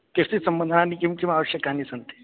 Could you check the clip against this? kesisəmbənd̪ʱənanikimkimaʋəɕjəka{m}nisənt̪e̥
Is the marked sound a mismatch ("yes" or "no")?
yes